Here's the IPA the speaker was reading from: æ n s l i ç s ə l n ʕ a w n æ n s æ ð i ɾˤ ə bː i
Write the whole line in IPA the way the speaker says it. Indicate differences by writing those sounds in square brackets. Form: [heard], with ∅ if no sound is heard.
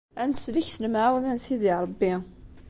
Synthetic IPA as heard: æ n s l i ç s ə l [m] ʕ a w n æ n s [i] ð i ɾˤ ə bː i